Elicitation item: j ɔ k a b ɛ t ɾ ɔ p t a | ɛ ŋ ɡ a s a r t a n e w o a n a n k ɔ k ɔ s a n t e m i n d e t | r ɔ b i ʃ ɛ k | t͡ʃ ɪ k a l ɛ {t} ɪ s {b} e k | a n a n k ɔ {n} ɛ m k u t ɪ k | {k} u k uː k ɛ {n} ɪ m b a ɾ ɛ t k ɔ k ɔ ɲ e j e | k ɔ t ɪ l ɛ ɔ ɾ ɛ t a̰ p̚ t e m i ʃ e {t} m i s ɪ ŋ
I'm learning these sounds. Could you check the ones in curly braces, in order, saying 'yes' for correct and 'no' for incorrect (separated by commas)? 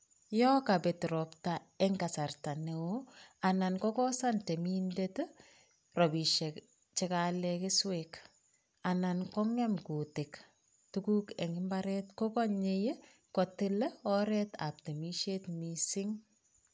no, no, no, no, no, yes